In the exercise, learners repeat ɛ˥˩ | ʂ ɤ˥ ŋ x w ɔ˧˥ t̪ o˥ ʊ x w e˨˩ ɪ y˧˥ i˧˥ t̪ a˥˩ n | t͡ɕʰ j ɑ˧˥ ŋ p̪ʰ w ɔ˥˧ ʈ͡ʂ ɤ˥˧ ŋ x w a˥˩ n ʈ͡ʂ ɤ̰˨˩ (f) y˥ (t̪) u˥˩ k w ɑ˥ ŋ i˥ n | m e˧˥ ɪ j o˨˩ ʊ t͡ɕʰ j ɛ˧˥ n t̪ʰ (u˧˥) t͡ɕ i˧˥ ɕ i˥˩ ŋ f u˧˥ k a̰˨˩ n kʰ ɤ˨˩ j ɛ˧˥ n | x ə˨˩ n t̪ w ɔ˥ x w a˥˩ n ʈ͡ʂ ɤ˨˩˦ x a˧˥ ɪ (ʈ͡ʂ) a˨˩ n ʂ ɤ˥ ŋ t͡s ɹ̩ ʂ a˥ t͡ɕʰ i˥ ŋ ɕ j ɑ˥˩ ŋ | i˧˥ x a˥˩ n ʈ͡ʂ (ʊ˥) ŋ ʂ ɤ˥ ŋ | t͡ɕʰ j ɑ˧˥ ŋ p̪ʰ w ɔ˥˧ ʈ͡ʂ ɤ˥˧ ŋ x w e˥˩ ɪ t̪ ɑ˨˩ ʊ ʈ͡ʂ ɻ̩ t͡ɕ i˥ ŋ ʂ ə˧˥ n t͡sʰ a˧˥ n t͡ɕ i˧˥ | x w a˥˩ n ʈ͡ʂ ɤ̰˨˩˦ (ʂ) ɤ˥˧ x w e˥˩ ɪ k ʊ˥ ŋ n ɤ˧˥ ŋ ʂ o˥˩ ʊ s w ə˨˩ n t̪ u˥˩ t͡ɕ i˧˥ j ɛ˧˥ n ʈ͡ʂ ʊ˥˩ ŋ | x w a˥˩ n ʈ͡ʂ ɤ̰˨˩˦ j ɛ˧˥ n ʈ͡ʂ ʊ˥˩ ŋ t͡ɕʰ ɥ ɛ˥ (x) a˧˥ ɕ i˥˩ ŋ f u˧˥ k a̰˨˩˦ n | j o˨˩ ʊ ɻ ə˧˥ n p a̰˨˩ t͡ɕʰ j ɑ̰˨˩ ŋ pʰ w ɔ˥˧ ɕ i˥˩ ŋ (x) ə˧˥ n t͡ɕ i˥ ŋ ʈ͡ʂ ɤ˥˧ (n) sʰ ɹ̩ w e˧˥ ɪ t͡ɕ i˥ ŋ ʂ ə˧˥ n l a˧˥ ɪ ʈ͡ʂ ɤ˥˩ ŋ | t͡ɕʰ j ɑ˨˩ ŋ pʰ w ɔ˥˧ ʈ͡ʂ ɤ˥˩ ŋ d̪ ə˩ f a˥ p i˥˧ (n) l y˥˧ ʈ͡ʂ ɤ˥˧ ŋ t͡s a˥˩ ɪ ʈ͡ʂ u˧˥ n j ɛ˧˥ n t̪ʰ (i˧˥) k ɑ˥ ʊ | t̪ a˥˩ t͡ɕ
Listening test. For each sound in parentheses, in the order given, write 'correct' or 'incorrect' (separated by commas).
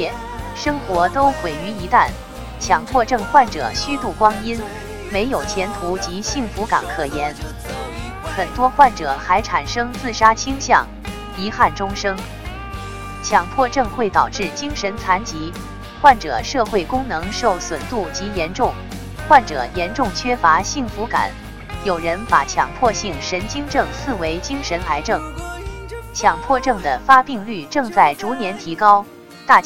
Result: incorrect, correct, correct, incorrect, correct, correct, incorrect, incorrect, incorrect, incorrect, correct